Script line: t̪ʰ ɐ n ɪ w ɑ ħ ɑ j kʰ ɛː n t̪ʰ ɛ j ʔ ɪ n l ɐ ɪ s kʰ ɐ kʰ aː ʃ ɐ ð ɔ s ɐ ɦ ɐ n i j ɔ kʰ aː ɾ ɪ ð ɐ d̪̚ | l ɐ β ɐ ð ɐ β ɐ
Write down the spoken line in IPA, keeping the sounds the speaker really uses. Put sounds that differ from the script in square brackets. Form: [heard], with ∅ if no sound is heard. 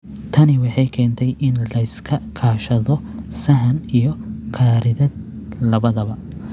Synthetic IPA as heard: t̪ʰ ɐ n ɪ w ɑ ħ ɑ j kʰ ɛː n t̪ʰ ɛ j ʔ ɪ n l ɐ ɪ s kʰ ɐ kʰ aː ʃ ɐ ð ɔ s ɐ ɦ ɐ n i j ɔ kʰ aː ɾ ɪ ð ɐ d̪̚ | l ɐ β ɐ ð ɐ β ɐ

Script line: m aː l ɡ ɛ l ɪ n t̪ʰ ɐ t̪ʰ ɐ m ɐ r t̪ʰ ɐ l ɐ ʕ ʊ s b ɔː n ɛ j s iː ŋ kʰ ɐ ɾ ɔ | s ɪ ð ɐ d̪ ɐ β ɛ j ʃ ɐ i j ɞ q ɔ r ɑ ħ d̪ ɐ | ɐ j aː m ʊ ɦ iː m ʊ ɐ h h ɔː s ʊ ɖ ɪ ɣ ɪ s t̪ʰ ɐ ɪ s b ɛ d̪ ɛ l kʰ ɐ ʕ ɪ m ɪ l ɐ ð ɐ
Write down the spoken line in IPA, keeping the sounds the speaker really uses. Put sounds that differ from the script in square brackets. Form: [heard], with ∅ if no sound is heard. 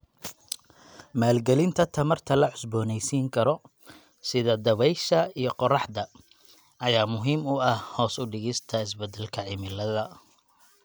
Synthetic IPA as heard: m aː l ɡ ɛ l ɪ n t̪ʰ ɐ t̪ʰ ɐ m ɐ r t̪ʰ ɐ l ɐ ʕ ʊ s b ɔː n ɛ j s iː ŋ kʰ ɐ ɾ ɔ | s ɪ ð ɐ d̪ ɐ β ɛ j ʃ ɐ i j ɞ q ɔ r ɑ ħ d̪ ɐ | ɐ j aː m ʊ ɦ iː m ʊ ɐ h h ɔː s ʊ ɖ ɪ ɣ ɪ s t̪ʰ ɐ ɪ s b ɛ d̪ ɛ l kʰ ɐ ʕ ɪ m ɪ l ɐ ð ɐ

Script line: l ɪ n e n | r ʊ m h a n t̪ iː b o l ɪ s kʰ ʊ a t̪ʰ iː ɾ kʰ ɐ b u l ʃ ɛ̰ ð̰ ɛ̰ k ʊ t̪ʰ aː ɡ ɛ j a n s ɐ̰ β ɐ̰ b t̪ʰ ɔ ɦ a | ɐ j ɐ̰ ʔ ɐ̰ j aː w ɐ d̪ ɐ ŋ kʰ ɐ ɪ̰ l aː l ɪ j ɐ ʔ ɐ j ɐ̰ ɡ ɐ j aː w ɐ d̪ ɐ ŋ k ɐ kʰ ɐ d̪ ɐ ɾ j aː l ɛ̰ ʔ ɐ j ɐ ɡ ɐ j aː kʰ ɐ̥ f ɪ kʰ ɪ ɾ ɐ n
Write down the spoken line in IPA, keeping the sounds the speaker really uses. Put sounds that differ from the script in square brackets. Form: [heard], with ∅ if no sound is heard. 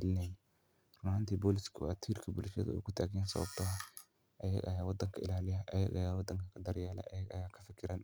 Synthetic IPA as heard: l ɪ n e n | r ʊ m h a n t̪ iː b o l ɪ s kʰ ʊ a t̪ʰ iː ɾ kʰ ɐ b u l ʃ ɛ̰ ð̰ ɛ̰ k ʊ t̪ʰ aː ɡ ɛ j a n s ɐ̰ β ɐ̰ b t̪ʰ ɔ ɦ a | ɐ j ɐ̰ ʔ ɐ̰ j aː w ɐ d̪ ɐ ŋ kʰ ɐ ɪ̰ l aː l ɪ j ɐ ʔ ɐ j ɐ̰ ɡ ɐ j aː w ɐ d̪ ɐ ŋ k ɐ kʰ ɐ d̪ ɐ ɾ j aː l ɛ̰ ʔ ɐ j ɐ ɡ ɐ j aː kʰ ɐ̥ f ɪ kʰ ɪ ɾ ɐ n

